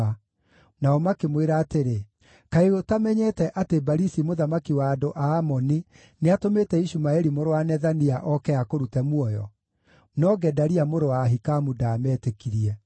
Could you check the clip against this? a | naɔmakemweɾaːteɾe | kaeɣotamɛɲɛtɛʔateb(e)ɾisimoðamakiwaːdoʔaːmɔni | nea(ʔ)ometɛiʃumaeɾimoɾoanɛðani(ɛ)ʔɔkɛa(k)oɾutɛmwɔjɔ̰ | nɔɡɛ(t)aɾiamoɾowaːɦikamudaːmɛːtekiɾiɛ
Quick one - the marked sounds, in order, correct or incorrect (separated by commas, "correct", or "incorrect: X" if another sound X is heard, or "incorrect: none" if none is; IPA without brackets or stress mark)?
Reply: incorrect: a, incorrect: t, incorrect: a, correct, incorrect: d